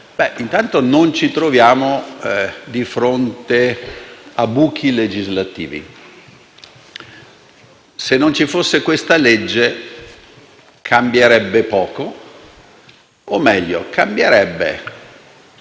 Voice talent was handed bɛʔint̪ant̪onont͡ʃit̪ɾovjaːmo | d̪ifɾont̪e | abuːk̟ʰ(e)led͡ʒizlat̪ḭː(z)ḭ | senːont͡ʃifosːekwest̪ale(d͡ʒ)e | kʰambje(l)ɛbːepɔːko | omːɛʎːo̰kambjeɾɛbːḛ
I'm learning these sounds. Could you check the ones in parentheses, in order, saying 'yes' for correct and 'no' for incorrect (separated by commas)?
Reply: no, no, no, no